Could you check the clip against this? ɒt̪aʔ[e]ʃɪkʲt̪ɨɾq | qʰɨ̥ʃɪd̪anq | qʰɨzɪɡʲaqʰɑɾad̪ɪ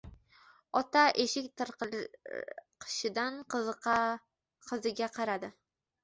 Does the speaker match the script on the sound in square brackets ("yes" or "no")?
yes